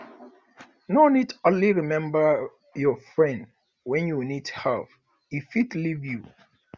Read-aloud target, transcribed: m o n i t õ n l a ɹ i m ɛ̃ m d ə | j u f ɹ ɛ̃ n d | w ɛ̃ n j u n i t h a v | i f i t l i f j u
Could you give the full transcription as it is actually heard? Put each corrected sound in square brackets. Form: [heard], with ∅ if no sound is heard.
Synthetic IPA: [n] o n i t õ n l [i] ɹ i m ɛ̃ m [b] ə | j [ɔ] f ɹ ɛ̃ n d | w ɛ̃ n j u n i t h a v | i f i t l i [v] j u